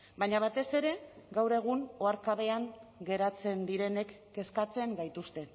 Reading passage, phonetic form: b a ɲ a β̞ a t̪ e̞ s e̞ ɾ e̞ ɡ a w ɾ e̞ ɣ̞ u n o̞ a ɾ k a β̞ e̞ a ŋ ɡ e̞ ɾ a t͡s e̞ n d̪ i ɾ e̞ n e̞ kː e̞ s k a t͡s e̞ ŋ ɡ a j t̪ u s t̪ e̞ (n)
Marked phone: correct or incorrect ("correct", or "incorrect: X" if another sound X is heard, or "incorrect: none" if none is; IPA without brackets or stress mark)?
incorrect: none